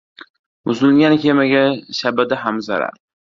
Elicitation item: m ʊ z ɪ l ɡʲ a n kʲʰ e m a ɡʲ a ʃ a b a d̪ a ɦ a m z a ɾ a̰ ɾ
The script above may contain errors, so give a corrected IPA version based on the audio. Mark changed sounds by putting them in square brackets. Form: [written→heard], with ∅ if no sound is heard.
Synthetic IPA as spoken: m ʊ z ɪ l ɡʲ a n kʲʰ e m a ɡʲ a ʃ a b a d̪ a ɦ a m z a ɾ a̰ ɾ